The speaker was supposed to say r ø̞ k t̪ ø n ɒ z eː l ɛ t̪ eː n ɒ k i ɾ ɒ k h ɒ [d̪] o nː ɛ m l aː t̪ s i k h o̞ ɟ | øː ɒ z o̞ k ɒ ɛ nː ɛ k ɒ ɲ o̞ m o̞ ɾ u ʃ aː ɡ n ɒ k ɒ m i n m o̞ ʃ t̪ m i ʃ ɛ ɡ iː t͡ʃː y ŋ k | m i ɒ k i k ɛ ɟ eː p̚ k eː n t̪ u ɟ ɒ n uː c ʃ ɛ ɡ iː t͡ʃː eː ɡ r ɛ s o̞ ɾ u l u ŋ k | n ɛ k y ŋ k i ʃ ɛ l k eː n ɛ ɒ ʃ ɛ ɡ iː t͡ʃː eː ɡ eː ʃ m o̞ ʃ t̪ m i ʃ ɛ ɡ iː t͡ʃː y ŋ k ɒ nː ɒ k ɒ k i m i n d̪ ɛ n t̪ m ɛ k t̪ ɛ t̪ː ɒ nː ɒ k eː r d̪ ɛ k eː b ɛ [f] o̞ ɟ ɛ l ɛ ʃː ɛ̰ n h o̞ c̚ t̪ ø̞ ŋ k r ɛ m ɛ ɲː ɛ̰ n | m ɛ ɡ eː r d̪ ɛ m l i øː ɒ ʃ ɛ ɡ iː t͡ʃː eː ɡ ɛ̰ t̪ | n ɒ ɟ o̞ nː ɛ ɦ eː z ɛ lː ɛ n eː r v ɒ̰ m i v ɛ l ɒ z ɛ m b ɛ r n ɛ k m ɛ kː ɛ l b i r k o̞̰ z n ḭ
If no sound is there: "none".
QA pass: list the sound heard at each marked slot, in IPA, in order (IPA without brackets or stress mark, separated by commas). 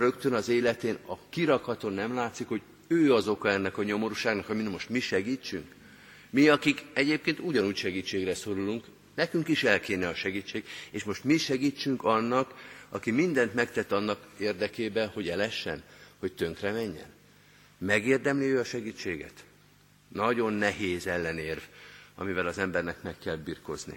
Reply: t̪, h